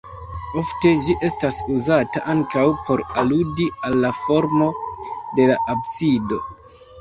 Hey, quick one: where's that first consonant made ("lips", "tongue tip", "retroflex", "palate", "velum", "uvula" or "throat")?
lips